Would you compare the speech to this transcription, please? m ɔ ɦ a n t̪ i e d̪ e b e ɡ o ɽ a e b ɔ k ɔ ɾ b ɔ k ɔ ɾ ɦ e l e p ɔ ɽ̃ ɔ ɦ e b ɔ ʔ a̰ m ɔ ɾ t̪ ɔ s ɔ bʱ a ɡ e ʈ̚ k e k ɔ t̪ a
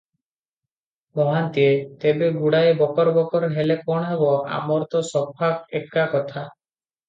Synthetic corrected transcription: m ɔ ɦ a n t̪ i e t̪ e b e ɡ u ɽ a e b ɔ k ɔ ɾ b ɔ k ɔ ɾ ɦ e l e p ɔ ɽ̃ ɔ ɦ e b ɔ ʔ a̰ m ɔ ɾ t̪ ɔ s ɔ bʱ a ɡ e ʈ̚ k a k ɔ t̪ʰ a

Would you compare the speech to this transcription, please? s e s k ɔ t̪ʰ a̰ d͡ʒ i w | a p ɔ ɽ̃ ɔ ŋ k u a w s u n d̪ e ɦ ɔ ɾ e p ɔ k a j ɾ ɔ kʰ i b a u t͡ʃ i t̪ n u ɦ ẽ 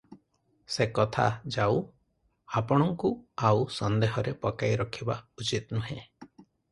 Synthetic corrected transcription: s e k ɔ t̪ʰ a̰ d͡ʒ a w | a p ɔ ɽ̃ ɔ ŋ k u a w s ɔ n d̪ e ɦ ɔ ɾ e p ɔ k a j ɾ ɔ kʰ i b a u t͡ʃ i t̪ n u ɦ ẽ

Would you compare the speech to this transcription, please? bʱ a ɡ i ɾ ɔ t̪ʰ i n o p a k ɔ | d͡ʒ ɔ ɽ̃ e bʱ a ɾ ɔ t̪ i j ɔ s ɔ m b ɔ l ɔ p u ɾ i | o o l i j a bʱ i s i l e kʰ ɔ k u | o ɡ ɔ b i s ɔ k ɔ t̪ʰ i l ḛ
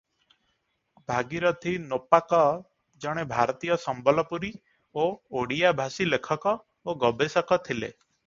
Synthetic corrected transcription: bʱ a ɡ i ɾ ɔ t̪ʰ i n o p a k ɔ | d͡ʒ ɔ ɽ̃ e bʱ a ɾ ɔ t̪ i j ɔ s ɔ m b ɔ l ɔ p u ɾ i | o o ɽ i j a bʱ a s i l e kʰ ɔ k ɔ | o ɡ ɔ b e s ɔ k ɔ t̪ʰ i l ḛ

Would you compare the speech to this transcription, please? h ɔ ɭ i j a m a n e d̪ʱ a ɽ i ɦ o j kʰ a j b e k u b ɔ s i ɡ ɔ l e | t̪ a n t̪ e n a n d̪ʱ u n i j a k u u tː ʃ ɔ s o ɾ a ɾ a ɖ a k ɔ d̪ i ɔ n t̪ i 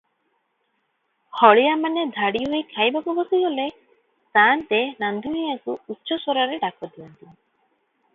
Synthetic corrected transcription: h ɔ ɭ i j a m a n e d̪ʱ a ɽ i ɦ o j kʰ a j b a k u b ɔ s i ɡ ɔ l e | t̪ a n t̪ e n a n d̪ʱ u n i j a k u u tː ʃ ɔ s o ɾ a ɾ e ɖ a k ɔ d̪ i ɔ n t̪ i

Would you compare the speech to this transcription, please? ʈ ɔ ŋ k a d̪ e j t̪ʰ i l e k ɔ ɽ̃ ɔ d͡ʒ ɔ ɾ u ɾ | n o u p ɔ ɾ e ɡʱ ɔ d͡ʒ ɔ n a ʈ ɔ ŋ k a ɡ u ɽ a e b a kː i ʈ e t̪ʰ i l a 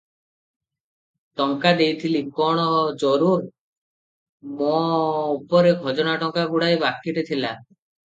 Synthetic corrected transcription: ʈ ɔ ŋ k a d̪ e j t̪ʰ i l i k ɔ ɽ̃ ɔ d͡ʒ ɔ ɾ u ɾ | m o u p ɔ ɾ e ɡʱ ɔ d͡ʒ ɔ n a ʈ ɔ ŋ k a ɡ u ɽ a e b a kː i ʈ e t̪ʰ i l a

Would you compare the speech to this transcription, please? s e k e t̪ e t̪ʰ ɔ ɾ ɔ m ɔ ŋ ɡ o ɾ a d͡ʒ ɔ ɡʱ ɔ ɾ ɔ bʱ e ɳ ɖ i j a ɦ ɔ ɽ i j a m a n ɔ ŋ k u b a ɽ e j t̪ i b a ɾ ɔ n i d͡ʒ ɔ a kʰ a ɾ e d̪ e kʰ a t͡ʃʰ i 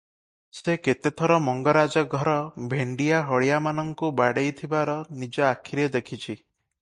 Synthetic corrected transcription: s e k e t̪ e t̪ʰ ɔ ɾ ɔ m ɔ ŋ ɡ ɔ ɾ a d͡ʒ ɔ ɡʱ ɔ ɾ ɔ bʱ e ɳ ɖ i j a ɦ ɔ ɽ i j a m a n ɔ ŋ k u b a ɽ e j t̪ʰ i b a ɾ ɔ n i d͡ʒ ɔ a kʰ i ɾ e d̪ e kʰ i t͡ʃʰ i

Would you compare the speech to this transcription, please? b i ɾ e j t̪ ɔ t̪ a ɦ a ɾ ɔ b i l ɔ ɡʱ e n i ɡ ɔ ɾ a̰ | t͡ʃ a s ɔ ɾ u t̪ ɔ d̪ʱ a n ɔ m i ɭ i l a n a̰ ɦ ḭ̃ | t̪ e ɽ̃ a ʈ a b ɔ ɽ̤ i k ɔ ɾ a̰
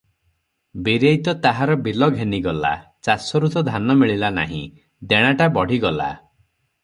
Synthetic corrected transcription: b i ɾ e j t̪ ɔ t̪ a ɦ a ɾ ɔ b i l ɔ ɡʱ e n i ɡ ɔ l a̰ | t͡ʃ a s ɔ ɾ u t̪ ɔ d̪ʱ a n ɔ m i ɭ i l a n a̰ ɦ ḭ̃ | d̪ e ɽ̃ a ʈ a b ɔ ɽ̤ i ɡ ɔ l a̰

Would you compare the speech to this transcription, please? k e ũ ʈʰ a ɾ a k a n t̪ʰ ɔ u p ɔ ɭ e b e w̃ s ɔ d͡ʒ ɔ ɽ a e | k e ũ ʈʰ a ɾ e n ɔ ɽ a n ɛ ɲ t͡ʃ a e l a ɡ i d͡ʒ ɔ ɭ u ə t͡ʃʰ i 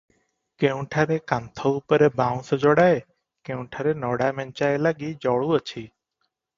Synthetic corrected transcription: k e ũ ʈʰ a ɾ e k a n t̪ʰ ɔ u p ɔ ɾ e b a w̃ s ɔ d͡ʒ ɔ ɽ a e | k e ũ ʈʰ a ɾ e n ɔ ɽ a m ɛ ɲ t͡ʃ a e l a ɡ i d͡ʒ ɔ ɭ u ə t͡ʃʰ i

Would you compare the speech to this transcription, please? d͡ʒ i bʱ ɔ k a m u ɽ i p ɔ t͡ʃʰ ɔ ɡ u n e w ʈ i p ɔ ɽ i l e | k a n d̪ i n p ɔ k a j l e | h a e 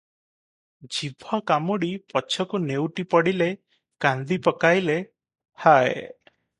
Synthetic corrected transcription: d͡ʒ i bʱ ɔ k a m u ɽ i p ɔ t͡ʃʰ ɔ k u n e w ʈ i p ɔ ɽ i l e | k a n d̪ i p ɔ k a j l e | h a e

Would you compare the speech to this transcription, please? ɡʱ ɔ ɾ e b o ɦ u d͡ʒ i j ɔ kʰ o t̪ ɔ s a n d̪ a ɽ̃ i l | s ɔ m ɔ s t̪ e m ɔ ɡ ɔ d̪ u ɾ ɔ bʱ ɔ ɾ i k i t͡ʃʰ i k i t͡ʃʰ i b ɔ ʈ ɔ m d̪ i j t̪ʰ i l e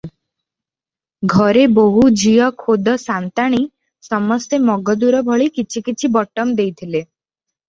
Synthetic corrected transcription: ɡʱ ɔ ɾ e b o ɦ u d͡ʒ i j ɔ kʰ o d̪ ɔ s a n t̪ a ɽ̃ i | s ɔ m ɔ s t̪ e m ɔ ɡ ɔ d̪ u ɾ ɔ bʱ ɔ ɭ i k i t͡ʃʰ i k i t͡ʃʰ i b ɔ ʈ ɔ m d̪ e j t̪ʰ i l e

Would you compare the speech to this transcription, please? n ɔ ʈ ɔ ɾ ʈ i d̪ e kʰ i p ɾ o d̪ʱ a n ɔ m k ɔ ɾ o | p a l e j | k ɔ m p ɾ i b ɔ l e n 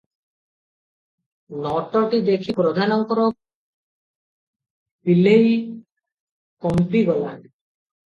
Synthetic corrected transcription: n ɔ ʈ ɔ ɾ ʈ i d̪ e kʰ i p ɾ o d̪ʱ a n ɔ ŋ k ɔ ɾ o | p i l e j | k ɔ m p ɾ i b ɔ l a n

